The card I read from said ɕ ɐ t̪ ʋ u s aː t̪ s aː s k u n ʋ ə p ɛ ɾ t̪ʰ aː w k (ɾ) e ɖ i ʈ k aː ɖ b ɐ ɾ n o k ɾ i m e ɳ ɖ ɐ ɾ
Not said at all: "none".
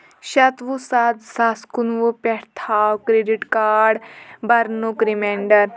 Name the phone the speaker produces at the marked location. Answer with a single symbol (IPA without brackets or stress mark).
ɾ